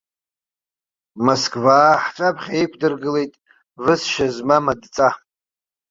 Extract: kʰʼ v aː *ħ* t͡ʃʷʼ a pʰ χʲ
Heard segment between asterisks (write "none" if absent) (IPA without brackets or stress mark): ħ